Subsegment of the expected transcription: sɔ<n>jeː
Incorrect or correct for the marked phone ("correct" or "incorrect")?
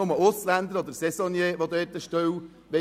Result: correct